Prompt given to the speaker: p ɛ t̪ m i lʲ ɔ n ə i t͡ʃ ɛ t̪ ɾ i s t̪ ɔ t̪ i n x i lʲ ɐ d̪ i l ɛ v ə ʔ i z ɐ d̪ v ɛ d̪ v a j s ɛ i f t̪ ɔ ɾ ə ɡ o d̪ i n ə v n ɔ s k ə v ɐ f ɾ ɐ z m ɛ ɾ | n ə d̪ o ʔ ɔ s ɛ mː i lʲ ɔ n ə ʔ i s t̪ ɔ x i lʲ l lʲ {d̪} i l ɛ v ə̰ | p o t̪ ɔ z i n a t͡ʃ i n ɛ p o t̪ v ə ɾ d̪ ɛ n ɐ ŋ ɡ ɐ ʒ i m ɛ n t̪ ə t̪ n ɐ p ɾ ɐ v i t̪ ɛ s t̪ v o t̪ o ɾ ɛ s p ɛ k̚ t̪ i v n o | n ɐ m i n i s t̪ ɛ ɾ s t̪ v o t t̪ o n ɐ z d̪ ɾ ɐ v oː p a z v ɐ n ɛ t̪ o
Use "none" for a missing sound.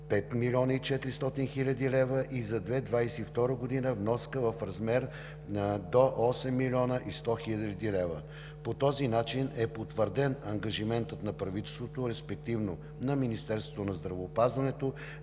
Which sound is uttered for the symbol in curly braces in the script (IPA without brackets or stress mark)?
d̪